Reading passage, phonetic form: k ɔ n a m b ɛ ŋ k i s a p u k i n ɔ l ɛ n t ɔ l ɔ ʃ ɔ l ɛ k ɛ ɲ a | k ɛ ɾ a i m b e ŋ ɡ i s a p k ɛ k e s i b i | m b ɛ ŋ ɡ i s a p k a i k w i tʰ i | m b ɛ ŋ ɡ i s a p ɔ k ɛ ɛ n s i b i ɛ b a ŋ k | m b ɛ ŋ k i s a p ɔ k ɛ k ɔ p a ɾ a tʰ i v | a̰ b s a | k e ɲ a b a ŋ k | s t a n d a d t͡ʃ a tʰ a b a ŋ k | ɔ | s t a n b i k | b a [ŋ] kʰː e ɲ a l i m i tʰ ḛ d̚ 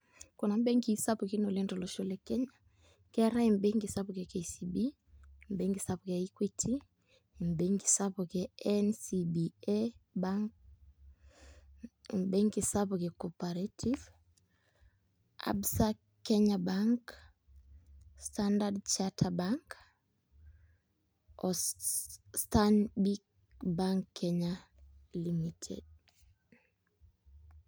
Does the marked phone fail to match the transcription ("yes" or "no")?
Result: no